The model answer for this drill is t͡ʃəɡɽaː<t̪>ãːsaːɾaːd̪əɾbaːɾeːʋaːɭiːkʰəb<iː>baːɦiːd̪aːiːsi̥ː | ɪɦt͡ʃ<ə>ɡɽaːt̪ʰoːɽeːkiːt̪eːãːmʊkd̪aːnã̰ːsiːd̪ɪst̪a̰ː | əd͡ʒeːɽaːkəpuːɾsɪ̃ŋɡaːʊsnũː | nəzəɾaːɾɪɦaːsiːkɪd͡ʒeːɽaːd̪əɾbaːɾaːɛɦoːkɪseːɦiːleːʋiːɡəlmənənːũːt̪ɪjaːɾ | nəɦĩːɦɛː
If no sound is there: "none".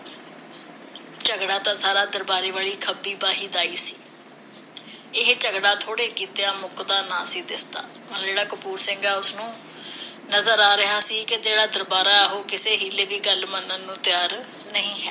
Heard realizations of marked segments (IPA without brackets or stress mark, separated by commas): t̪, iː, ə